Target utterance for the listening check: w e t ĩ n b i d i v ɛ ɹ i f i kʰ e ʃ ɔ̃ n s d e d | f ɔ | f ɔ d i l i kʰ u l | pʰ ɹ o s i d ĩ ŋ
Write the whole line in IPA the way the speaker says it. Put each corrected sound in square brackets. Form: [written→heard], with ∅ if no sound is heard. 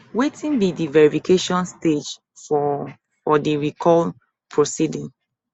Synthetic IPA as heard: w e t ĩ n b i d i v ɛ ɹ i f i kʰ e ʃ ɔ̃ n s [d→t] e [d→d͡ʒ] | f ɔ | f ɔ d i [l→ɹ] i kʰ [u→ɔ] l | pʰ ɹ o s i d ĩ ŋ